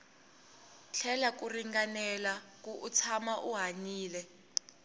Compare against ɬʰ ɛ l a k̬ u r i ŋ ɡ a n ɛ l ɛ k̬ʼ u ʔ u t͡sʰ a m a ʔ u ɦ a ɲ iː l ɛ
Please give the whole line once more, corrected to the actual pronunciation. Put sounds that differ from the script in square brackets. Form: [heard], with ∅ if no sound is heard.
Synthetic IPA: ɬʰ ɛ l a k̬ u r i ŋ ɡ a n ɛ l [a] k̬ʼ u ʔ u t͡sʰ a m a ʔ u ɦ a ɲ iː l ɛ